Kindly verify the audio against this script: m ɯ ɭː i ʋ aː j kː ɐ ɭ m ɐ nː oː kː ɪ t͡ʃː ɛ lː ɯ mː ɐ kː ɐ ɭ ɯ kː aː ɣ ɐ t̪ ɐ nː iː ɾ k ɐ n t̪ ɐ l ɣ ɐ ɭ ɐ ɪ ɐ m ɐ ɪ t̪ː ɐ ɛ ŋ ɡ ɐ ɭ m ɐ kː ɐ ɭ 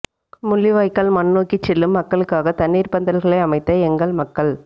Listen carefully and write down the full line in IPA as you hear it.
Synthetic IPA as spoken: m ʊ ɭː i ʋ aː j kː ɐ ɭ m ɐ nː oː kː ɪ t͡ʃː ɛ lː ɯ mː ɐ kː ɐ ɭ ɯ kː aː ɣ ɐ t̪ ɐ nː iː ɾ p ɐ n d̪ ɐ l ɣ ɐ ɭ ɐ ɪ ɐ m ɐ ɪ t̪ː ɐ ɛ ŋ ɡ ɐ ɭ m ɐ kː ɐ ɭ